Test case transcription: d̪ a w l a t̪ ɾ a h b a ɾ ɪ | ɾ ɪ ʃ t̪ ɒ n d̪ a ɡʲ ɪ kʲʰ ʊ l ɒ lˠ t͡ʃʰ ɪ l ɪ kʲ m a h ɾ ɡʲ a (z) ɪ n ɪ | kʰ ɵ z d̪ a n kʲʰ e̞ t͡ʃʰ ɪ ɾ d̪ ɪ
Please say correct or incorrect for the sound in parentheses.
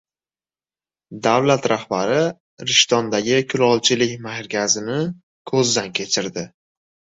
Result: correct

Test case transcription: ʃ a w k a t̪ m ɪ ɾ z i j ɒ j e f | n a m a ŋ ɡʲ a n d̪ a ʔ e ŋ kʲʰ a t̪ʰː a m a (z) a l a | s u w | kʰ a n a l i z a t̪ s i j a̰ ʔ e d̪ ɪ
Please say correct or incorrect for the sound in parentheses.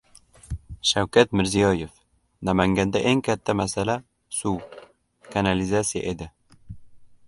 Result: incorrect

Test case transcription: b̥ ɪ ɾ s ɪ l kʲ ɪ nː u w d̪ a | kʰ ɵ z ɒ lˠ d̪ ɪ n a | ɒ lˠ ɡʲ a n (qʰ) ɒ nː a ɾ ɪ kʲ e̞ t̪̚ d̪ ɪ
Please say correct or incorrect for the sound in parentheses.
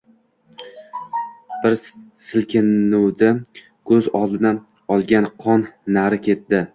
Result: correct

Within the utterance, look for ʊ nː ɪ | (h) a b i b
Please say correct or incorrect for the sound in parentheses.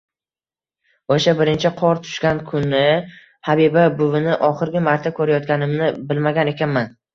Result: correct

